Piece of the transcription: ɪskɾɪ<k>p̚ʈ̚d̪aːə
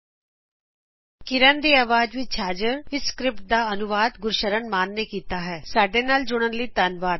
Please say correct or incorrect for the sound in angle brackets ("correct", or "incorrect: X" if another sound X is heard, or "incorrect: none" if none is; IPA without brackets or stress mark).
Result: incorrect: none